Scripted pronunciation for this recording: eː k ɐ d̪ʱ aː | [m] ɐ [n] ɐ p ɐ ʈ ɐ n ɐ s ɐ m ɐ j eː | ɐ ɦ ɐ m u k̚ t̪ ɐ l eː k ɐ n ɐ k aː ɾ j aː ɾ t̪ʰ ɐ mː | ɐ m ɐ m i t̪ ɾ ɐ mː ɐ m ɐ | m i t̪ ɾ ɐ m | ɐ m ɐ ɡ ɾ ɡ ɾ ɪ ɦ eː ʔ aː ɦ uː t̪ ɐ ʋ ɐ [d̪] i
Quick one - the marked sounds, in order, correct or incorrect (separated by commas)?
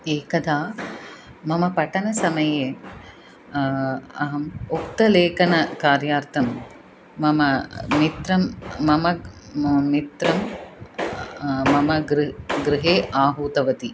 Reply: correct, incorrect, incorrect